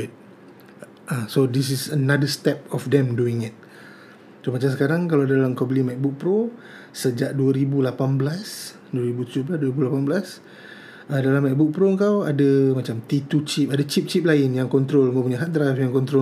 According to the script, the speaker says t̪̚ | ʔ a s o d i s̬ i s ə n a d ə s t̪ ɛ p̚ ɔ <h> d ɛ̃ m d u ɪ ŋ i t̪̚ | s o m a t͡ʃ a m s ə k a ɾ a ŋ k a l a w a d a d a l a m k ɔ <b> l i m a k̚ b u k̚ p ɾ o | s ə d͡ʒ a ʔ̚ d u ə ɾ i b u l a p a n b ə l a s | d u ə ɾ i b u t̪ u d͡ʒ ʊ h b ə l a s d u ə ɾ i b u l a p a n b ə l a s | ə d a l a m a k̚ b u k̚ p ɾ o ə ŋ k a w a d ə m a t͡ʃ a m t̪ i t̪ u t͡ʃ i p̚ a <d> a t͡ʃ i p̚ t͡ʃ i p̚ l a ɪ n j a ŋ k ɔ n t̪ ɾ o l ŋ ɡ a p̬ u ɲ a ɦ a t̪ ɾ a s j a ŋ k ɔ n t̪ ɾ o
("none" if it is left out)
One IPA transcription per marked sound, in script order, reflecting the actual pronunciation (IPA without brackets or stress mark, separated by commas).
f, b, d